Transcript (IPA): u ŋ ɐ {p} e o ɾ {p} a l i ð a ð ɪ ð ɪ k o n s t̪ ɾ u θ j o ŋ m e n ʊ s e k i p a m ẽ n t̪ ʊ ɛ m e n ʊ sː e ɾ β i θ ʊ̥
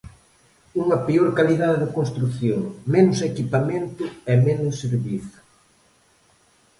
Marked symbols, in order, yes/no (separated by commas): yes, no